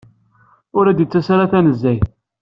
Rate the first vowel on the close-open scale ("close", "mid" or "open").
close